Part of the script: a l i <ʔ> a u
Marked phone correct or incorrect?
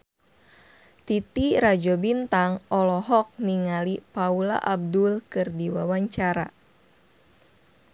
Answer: incorrect